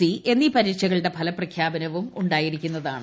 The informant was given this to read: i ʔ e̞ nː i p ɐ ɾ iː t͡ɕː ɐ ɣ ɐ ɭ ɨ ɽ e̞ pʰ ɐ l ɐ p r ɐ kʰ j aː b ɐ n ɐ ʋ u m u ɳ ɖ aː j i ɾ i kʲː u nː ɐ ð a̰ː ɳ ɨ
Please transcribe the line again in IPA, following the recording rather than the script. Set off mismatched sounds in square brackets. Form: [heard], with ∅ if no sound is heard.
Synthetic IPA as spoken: i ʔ e̞ nː i p ɐ ɾ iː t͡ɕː ɐ ɣ ɐ ɭ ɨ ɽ e̞ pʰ ɐ l ɐ p r ɐ kʰ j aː b ɐ n ɐ ʋ u m u ɳ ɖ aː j i ɾ i kʲː u nː ɐ ð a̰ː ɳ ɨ